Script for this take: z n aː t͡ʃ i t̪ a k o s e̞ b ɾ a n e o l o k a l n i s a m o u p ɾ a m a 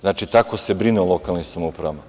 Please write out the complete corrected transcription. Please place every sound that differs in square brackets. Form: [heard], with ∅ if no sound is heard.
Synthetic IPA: z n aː t͡ʃ i t̪ a k o s e̞ b ɾ [i] n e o l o k a l n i s a m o u p ɾ a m a